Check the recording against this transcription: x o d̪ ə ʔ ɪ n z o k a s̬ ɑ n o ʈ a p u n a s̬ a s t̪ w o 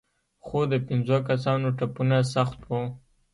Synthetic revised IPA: x o d̪ ə p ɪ n z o k a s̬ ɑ n o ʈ a p u n a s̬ a x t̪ w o